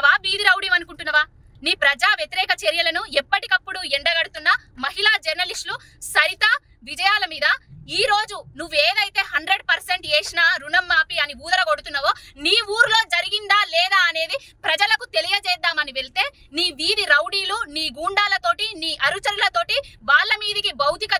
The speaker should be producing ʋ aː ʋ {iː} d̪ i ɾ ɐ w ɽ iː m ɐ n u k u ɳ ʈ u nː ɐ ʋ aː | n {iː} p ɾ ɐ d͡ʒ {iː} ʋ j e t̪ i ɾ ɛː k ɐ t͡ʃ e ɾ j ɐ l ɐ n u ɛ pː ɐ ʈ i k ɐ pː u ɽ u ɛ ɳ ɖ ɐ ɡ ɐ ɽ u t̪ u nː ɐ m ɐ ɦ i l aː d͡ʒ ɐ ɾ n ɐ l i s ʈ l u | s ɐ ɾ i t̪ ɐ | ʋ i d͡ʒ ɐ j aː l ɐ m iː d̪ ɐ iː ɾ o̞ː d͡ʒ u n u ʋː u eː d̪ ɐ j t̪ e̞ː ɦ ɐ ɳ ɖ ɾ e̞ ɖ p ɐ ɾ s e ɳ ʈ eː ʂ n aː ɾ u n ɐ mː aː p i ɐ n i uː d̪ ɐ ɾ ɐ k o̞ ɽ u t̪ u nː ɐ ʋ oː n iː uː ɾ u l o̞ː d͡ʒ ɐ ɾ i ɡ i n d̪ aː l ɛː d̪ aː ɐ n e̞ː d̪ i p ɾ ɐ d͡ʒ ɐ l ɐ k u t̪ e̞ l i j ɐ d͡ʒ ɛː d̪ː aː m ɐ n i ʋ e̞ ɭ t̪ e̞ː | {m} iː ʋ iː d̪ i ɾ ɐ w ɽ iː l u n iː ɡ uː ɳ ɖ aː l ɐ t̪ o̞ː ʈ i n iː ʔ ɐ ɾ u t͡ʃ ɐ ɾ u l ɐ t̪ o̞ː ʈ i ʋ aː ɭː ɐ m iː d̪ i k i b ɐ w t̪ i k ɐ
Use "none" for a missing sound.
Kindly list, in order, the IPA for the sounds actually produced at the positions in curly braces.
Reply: iː, iː, aː, n

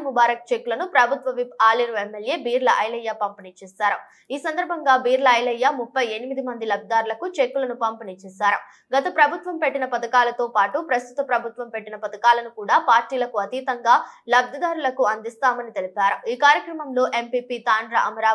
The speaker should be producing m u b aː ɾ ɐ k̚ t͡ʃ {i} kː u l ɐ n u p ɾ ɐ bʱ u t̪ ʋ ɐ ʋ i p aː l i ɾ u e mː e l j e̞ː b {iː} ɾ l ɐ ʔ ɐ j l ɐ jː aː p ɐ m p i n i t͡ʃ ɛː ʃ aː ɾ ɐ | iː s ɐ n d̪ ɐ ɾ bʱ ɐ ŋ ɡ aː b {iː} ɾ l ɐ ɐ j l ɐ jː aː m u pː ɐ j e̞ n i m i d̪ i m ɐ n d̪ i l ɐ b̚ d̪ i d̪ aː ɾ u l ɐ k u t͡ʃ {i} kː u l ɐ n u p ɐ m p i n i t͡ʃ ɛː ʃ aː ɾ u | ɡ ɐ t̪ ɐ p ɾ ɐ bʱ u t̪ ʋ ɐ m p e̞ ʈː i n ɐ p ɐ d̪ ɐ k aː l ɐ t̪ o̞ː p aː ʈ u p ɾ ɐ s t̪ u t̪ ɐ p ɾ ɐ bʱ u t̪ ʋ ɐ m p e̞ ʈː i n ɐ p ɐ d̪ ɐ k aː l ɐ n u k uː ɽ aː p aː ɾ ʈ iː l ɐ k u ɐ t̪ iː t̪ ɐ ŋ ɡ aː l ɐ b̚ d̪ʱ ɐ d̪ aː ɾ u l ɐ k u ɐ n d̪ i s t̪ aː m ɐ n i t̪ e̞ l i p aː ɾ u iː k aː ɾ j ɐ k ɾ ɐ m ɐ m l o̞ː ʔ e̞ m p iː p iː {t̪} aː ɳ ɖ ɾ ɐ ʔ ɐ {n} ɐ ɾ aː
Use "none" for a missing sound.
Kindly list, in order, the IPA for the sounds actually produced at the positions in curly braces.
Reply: e, iː, iː, e, t̪, m

